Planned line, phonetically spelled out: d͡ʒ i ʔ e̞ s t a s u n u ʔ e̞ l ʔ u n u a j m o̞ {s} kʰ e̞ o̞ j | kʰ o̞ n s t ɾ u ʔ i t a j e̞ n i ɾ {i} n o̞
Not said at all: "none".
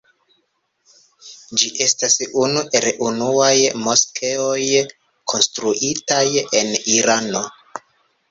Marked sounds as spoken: s, a

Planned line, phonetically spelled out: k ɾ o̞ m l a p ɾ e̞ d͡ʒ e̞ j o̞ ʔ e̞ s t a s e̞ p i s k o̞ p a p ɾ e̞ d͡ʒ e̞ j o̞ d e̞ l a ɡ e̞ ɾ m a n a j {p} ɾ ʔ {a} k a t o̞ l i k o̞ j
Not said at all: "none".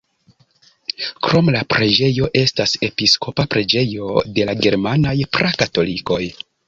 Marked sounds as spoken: p, a

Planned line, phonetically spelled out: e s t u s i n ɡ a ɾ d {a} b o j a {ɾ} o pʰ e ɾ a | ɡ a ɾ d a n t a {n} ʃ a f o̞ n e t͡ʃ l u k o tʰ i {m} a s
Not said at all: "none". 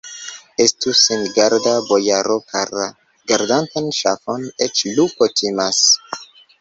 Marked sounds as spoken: a, ɾ, n, m

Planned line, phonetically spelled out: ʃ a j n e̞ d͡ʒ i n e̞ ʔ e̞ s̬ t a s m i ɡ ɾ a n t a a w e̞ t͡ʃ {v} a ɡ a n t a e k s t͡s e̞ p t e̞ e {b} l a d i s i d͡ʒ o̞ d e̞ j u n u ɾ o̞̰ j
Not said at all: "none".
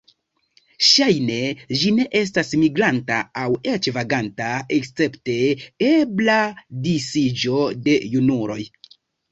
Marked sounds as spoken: v, b

